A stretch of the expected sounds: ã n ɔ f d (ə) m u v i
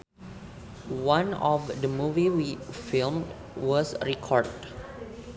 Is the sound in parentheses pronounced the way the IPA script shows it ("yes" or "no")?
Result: yes